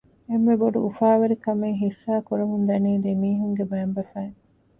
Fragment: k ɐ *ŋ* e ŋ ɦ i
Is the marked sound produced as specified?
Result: no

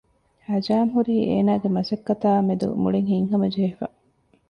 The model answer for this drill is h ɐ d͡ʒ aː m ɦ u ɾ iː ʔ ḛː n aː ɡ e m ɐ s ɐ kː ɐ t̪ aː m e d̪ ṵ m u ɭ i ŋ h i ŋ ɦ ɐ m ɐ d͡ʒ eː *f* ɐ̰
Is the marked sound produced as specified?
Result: yes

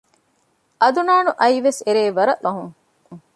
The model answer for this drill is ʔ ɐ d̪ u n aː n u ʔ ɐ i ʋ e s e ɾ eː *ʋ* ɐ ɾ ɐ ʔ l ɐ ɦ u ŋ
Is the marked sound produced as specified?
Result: yes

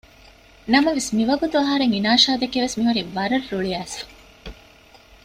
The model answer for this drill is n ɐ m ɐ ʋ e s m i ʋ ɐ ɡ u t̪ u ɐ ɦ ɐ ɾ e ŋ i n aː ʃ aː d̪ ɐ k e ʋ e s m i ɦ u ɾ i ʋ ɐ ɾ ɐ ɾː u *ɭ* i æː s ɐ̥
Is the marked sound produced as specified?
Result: yes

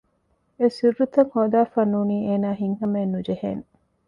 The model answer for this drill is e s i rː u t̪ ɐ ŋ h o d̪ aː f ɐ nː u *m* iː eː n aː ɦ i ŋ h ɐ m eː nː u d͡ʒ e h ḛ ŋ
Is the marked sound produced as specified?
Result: no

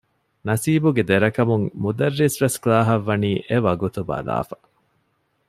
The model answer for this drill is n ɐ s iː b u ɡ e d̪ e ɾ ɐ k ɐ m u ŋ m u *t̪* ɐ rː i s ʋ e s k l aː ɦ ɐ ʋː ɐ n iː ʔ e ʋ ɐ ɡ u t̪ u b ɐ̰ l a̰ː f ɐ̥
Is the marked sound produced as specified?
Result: no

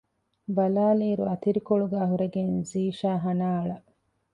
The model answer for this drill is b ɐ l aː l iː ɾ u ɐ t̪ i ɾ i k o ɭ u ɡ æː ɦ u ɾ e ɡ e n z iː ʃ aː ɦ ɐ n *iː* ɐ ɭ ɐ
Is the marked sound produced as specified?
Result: no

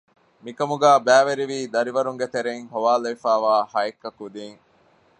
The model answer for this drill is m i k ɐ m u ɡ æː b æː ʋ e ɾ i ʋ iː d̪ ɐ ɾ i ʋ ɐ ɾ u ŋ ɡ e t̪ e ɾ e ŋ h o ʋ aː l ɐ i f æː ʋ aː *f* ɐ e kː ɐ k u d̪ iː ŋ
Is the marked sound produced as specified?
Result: no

